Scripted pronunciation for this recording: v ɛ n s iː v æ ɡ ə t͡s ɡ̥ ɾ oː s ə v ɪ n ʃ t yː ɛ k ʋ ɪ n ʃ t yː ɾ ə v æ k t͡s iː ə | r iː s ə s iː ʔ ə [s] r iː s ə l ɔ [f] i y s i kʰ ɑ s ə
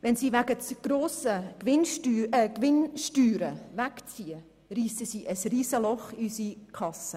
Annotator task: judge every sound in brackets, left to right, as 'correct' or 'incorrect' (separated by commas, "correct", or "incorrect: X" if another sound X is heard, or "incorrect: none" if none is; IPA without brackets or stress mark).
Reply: correct, incorrect: χ